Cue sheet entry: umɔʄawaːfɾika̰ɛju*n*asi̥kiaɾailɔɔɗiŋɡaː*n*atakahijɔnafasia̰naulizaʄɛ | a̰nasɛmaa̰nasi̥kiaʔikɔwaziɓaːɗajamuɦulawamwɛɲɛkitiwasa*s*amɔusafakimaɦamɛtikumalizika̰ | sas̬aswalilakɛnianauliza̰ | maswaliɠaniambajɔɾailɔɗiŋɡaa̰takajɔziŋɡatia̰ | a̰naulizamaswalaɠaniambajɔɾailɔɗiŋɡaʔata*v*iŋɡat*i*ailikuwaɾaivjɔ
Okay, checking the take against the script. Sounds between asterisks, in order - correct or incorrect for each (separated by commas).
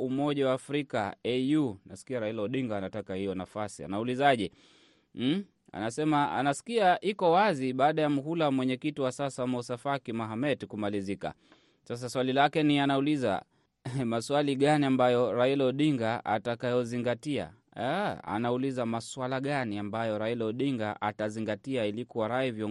correct, correct, correct, incorrect, correct